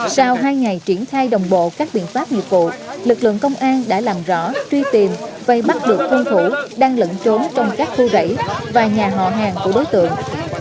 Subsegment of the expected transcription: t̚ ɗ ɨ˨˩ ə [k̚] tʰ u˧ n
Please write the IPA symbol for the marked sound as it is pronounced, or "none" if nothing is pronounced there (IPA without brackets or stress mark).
k̚